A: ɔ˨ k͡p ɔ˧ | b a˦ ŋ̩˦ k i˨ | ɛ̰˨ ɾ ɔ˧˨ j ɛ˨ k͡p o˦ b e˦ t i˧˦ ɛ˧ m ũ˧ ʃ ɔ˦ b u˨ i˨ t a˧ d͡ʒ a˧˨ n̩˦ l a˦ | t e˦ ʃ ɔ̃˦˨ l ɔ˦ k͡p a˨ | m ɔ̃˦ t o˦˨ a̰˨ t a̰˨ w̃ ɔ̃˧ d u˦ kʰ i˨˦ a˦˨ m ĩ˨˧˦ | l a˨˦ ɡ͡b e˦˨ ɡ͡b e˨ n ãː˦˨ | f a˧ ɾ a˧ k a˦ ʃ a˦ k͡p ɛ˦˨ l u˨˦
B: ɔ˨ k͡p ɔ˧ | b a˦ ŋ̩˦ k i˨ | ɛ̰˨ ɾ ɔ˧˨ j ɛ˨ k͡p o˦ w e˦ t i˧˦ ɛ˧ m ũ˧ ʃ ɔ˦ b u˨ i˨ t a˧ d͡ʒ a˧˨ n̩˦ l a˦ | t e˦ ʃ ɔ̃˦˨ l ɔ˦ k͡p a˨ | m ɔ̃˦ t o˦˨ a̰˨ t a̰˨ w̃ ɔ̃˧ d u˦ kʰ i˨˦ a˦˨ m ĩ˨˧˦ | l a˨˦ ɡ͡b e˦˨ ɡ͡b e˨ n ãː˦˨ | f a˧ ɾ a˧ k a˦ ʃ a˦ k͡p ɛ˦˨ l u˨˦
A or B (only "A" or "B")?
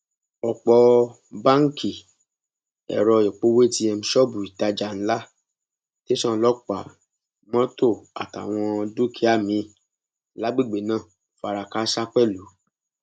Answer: B